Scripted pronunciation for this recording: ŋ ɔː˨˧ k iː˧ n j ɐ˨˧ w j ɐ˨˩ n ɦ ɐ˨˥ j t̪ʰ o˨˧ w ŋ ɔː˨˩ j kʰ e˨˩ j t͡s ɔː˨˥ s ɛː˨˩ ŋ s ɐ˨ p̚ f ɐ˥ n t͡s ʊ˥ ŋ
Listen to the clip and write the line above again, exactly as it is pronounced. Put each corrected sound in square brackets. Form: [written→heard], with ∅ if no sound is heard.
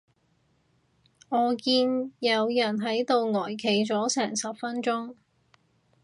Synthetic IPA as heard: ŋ ɔː˨˧ k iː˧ n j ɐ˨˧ w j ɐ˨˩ n ɦ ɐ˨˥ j [t̪ʰ→t̪] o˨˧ w ŋ ɔː˨˩ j kʰ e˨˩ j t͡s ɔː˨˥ s ɛː˨˩ ŋ s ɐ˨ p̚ f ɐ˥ n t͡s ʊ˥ ŋ